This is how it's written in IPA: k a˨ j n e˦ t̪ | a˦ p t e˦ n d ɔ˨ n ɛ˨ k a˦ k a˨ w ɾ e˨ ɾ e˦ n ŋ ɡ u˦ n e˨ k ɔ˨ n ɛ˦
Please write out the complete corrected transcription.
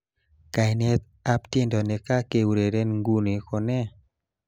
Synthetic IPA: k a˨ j n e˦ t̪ | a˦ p t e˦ n d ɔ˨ n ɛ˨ k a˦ k e˨ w ɾ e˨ ɾ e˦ n ŋ ɡ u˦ n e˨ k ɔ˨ n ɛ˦